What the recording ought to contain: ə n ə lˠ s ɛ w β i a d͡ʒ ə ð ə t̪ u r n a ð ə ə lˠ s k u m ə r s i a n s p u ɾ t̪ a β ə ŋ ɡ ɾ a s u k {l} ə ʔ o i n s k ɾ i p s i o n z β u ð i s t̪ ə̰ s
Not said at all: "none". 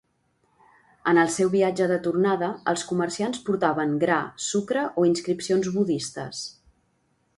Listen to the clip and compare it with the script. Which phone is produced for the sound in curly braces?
ɾ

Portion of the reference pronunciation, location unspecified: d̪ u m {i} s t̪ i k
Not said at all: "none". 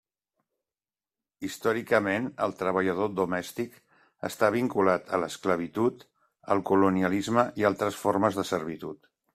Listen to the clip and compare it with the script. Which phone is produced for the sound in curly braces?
ɛ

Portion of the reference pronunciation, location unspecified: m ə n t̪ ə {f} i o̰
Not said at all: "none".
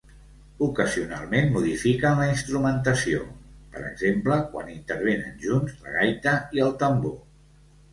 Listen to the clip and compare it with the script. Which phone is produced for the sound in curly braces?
s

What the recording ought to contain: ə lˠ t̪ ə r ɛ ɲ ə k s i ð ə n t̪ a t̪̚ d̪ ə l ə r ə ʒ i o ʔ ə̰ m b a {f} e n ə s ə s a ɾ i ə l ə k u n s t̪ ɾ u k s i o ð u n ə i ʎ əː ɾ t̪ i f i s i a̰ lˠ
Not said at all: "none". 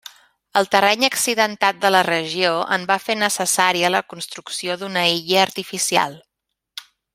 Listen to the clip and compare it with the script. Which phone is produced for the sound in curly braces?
f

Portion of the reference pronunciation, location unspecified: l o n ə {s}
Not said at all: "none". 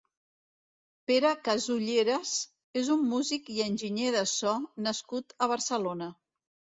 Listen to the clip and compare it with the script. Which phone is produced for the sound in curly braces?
none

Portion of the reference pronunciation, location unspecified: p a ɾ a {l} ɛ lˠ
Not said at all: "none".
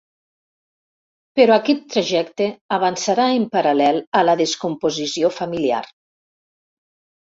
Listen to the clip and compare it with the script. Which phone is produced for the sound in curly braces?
l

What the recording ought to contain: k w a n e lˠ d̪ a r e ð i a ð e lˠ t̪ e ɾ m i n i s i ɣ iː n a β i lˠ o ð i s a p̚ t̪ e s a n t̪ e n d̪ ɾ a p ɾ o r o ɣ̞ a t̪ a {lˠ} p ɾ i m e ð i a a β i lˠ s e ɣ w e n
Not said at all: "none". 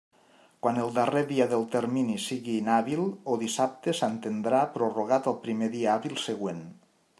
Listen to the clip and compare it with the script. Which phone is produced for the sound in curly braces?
lˠ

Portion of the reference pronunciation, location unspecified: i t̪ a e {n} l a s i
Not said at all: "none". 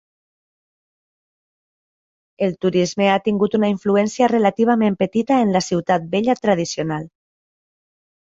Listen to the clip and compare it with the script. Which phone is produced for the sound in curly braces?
n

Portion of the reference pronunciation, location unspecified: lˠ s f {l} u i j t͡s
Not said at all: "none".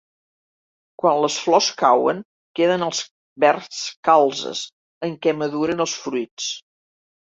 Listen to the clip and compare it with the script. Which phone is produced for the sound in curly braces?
ɾ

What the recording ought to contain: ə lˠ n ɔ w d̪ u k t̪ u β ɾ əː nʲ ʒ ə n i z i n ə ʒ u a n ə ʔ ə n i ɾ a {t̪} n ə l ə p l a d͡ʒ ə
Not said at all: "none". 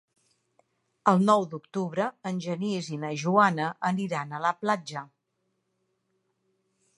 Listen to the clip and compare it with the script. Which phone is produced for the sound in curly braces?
none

